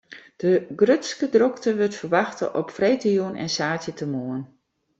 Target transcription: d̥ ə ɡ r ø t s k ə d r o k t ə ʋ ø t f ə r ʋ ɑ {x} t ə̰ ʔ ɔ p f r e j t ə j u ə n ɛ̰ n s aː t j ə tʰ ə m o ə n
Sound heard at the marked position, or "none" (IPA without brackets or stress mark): x